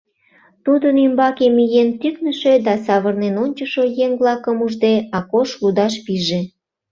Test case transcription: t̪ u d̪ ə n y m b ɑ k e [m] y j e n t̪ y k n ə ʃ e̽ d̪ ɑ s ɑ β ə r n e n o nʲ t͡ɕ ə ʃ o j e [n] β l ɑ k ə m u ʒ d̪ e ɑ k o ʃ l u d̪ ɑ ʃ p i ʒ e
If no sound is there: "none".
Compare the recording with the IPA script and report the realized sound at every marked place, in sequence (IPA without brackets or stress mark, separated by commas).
m, ŋ